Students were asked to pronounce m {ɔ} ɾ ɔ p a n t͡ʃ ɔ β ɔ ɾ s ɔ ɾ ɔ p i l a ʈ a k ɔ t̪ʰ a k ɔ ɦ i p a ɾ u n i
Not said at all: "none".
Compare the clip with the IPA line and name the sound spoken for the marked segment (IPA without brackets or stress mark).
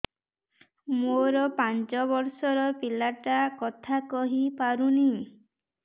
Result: o